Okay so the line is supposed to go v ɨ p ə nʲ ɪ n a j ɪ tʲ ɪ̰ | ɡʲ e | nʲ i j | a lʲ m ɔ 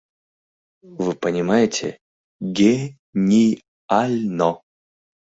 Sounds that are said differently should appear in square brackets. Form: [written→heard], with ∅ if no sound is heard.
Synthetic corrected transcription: v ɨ p ə nʲ ɪ [n→m] a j ɪ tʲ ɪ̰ | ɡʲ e | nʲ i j | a lʲ [m→n] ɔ

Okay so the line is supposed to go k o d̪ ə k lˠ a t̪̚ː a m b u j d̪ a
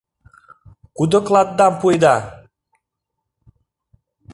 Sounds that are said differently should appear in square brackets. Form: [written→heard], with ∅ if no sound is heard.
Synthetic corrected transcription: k [o→u] d̪ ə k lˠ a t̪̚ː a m [b→p] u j d̪ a

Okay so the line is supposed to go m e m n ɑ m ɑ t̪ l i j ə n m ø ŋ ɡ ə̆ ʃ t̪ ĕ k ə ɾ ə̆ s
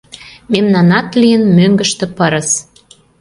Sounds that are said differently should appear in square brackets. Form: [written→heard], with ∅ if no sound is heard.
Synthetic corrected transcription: m e m n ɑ [m→n] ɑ t̪ l i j ə n m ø ŋ ɡ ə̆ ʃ t̪ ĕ [k→p] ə ɾ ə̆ s

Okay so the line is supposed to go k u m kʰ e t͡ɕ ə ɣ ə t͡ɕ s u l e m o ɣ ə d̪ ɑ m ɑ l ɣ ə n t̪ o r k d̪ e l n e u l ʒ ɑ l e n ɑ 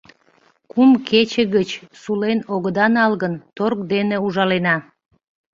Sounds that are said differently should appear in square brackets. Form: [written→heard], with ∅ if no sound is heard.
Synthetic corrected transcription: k u m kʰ e t͡ɕ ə ɣ ə t͡ɕ s u l e [m→n] o ɣ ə d̪ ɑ [m→n] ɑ l ɣ ə n t̪ o r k d̪ e [l→∅] n e u [l→∅] ʒ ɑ l e n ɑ

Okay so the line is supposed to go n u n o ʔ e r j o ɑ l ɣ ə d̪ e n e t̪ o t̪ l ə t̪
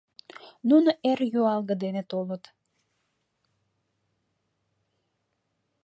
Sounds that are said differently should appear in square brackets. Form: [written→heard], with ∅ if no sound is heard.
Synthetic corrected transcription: n u n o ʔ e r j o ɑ l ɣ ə d̪ e n e t̪ o [t̪→∅] l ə t̪

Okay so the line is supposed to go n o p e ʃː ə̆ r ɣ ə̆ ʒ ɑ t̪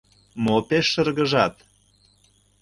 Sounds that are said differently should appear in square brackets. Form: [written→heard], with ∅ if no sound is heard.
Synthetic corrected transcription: [n→m] o p e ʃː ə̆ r ɣ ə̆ ʒ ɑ t̪

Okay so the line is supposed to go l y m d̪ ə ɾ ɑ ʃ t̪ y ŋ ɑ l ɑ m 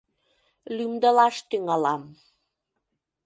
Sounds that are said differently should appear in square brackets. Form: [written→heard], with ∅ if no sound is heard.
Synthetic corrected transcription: l y m d̪ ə [ɾ→l] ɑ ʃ t̪ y ŋ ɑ l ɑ m

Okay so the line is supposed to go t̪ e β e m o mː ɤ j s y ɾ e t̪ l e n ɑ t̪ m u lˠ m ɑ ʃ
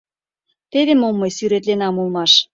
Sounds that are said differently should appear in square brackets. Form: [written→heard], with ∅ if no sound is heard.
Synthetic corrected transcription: t̪ e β e m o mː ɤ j s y ɾ e t̪ l e n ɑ [t̪→∅] m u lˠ m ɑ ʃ

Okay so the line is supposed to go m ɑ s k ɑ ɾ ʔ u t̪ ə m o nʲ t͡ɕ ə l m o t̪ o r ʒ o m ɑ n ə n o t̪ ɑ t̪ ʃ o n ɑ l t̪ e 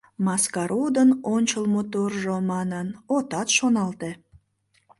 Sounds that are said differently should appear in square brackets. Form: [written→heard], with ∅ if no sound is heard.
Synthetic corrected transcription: m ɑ s k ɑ ɾ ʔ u [t̪→d̪] ə [m→n] o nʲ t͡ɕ ə l m o t̪ o r ʒ o m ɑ n ə n o t̪ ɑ t̪ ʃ o n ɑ l t̪ e

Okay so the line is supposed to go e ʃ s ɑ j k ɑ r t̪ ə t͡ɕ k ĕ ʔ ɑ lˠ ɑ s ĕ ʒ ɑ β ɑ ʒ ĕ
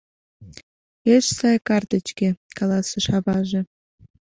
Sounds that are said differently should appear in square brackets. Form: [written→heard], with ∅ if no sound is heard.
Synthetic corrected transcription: e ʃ s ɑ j k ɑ r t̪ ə t͡ɕ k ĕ [ʔ→k] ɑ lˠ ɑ s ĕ [ʒ→ʃ] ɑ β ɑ ʒ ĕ

